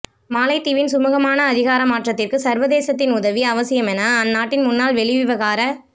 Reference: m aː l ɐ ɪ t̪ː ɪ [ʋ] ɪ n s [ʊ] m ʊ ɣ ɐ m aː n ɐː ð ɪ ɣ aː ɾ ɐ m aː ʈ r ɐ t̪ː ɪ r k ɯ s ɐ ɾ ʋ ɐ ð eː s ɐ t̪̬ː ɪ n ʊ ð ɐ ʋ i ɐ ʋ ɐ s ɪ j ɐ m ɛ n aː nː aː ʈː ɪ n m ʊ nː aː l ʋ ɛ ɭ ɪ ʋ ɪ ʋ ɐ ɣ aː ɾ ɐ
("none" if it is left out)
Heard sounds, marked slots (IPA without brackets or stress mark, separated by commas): ʋ, ʊ